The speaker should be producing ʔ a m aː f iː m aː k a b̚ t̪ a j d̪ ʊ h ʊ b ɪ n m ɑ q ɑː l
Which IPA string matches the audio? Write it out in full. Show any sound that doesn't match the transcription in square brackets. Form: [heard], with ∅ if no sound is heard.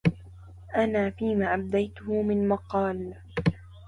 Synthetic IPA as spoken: ʔ a [n] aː f iː m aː [ʔ] a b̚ [d̪] a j [t̪] ʊ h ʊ [m] ɪ n m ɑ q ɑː l